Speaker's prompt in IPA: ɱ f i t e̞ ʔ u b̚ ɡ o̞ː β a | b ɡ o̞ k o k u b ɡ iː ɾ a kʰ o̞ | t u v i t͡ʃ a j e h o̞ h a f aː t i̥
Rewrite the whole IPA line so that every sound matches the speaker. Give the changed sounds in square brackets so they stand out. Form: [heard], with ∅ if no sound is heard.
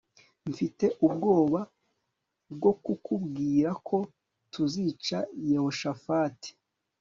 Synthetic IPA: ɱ f i t e̞ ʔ u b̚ ɡ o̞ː β a | b ɡ o̞ k [u] k u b ɡ iː ɾ a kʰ o̞ | t u [z] i t͡ʃ a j e h o̞ [ʃ] a f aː t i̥